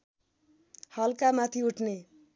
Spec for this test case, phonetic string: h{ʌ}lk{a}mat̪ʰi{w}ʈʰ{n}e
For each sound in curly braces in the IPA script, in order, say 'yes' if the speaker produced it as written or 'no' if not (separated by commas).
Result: yes, yes, no, yes